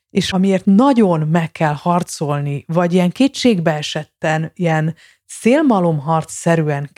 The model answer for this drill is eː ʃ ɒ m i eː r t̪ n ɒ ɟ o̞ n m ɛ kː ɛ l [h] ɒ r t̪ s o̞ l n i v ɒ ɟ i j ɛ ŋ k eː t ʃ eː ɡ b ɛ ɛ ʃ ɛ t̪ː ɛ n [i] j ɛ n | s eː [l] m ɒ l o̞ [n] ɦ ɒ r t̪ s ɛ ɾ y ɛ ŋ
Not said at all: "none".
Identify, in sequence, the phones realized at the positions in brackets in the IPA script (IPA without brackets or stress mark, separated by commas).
h, i, l, m